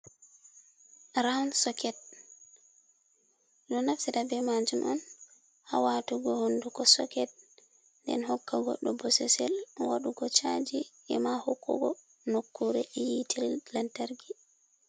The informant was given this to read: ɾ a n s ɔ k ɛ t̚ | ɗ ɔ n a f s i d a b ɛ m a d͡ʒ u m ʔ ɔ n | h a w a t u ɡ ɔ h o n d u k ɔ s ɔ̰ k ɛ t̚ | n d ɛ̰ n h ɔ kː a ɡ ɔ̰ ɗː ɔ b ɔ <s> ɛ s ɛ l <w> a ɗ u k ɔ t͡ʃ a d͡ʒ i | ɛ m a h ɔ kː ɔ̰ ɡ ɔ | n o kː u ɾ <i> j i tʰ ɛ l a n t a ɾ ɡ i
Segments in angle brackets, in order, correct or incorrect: correct, correct, incorrect: ɛ

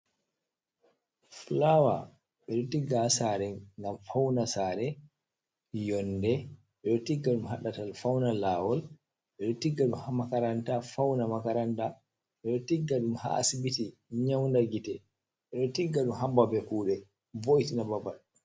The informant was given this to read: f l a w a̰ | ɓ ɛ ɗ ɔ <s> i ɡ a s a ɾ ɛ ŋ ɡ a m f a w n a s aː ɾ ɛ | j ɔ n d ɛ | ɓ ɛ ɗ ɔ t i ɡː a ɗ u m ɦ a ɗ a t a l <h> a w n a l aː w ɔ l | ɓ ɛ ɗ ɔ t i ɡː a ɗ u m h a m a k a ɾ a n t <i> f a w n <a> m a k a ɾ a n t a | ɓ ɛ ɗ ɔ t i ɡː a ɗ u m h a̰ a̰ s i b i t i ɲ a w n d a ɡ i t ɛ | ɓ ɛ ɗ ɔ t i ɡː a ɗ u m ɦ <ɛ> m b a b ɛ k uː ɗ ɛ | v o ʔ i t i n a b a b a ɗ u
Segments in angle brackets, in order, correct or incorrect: incorrect: t, incorrect: f, incorrect: a, correct, incorrect: a

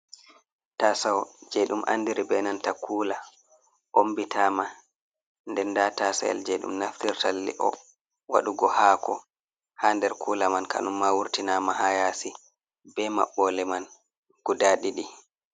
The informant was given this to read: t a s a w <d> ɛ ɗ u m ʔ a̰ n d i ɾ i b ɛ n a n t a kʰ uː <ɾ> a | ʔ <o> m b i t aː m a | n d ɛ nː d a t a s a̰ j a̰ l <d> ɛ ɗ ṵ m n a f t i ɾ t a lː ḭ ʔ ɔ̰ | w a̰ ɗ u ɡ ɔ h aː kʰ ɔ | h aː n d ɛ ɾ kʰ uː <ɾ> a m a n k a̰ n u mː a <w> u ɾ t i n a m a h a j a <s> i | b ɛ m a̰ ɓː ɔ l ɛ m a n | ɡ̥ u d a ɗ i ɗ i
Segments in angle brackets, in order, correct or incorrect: incorrect: d͡ʒ, incorrect: l, correct, incorrect: d͡ʒ, incorrect: l, correct, correct

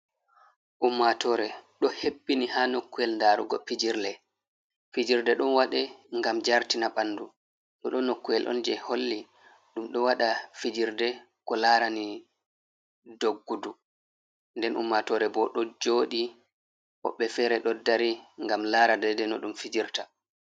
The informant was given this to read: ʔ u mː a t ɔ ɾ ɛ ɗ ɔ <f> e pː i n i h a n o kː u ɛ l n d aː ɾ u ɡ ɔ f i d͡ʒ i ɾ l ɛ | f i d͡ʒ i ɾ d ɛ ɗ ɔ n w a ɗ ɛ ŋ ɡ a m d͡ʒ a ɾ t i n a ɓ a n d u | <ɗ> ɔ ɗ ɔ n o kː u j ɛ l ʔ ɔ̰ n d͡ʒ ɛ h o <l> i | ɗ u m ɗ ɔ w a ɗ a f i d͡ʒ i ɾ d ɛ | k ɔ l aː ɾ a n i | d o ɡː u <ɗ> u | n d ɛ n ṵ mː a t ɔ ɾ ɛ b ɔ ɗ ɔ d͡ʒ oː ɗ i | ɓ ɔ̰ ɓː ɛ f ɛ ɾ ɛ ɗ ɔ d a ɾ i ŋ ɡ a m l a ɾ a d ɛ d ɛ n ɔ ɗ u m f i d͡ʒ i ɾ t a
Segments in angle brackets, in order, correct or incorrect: incorrect: h, correct, incorrect: lː, incorrect: d

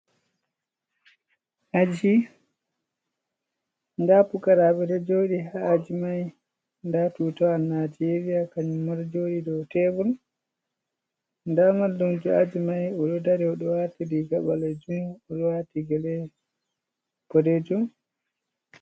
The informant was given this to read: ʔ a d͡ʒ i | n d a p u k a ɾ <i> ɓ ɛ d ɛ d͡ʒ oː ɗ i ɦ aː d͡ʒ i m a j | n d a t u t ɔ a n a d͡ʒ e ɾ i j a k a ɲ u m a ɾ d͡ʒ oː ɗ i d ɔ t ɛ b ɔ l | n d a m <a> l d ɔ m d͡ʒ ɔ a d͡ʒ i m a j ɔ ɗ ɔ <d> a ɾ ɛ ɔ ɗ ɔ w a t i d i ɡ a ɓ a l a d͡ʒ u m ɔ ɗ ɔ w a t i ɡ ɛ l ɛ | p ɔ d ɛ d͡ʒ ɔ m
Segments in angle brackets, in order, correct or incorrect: incorrect: a, correct, correct

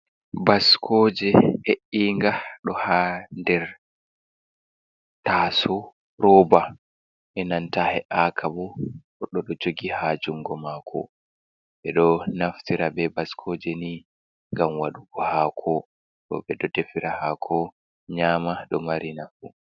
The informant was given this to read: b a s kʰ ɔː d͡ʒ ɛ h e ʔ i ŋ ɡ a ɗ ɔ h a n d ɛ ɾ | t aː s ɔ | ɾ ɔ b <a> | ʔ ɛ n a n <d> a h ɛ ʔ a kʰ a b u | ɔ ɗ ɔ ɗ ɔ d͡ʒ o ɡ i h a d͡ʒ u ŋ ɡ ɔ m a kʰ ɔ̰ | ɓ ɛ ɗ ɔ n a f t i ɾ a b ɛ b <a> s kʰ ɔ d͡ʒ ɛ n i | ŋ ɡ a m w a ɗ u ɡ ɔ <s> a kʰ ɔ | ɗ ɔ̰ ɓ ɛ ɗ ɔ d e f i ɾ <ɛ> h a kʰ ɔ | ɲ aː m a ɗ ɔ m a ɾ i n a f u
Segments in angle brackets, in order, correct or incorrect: correct, incorrect: t, correct, incorrect: h, incorrect: a

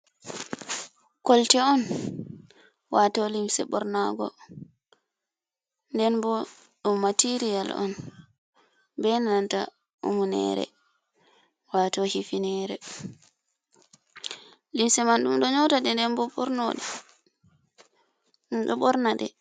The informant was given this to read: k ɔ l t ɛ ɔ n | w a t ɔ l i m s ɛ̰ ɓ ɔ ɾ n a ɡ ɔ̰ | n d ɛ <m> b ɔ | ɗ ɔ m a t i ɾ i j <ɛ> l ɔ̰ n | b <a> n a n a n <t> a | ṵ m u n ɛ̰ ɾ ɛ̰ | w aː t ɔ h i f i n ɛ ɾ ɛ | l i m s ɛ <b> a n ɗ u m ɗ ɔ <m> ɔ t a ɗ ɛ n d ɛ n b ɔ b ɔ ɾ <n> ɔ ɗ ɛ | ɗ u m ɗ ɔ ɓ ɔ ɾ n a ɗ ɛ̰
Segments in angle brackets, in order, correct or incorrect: incorrect: n, incorrect: a, incorrect: ɛ, correct, incorrect: m, incorrect: ɲ, correct

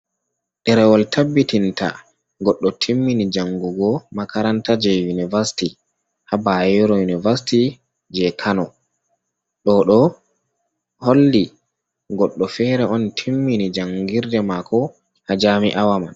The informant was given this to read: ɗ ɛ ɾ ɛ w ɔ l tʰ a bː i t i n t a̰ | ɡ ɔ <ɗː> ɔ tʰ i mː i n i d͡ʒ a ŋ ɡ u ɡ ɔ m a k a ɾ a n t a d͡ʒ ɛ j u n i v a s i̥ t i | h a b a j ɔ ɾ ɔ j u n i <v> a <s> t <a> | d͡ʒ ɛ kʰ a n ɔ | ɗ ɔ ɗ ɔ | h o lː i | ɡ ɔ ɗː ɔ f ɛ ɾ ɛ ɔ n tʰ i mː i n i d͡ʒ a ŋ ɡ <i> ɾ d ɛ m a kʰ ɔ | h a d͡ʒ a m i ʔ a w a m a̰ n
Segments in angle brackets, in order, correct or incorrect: correct, correct, correct, incorrect: i, correct

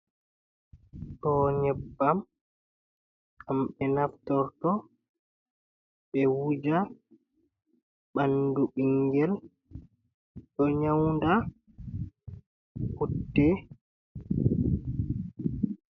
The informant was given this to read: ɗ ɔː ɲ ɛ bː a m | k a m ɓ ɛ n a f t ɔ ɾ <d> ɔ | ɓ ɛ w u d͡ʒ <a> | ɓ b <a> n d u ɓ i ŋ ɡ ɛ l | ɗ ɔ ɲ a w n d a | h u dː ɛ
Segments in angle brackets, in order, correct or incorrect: incorrect: t, correct, correct

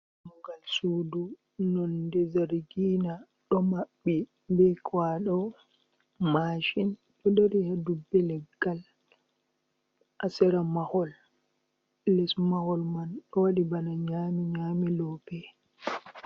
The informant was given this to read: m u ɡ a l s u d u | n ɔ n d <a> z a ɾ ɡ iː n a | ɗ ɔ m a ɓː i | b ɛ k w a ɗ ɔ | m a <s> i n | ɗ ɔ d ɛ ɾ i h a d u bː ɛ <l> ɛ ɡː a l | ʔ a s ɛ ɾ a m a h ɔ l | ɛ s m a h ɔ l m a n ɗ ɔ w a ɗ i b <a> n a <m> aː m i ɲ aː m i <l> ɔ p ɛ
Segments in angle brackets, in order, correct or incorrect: incorrect: ɛ, incorrect: ʃ, correct, correct, incorrect: ɲ, correct

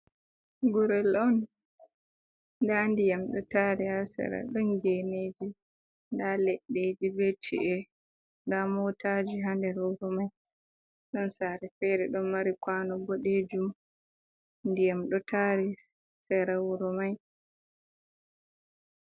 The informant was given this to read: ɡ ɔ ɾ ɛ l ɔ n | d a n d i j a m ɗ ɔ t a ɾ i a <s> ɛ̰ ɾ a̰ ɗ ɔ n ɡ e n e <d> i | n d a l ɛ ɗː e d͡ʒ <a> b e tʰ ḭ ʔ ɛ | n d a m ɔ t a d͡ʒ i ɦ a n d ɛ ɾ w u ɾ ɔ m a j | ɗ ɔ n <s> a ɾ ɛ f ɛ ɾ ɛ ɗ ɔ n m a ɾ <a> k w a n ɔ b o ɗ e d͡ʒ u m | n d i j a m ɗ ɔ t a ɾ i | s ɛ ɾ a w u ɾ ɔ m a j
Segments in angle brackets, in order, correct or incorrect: correct, incorrect: d͡ʒ, incorrect: i, correct, incorrect: i

